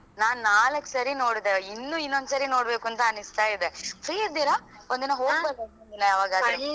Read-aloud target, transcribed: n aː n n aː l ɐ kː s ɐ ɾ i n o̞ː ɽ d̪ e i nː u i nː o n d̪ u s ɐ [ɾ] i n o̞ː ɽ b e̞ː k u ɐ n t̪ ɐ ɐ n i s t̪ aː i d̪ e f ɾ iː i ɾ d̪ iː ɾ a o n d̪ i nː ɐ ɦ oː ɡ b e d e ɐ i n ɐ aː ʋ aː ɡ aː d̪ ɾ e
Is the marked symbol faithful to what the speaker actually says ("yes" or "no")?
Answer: yes